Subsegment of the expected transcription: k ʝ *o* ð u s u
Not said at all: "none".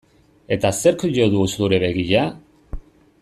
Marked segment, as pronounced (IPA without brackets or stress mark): o